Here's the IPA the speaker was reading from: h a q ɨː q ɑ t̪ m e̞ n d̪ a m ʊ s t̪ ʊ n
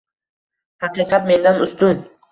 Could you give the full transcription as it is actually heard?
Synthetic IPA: h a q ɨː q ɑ t̪ m e̞ n d̪ a n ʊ s t̪ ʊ n